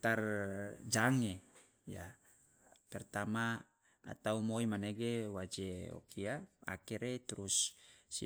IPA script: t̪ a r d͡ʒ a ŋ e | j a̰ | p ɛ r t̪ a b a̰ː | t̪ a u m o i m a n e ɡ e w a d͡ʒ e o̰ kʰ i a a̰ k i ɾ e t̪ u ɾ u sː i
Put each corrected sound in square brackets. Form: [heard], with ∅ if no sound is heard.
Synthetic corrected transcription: t̪ a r d͡ʒ a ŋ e | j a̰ | p ɛ r t̪ a [m] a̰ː | t̪ a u m o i m a n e ɡ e w a d͡ʒ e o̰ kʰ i a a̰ k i ɾ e t̪ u ɾ u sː i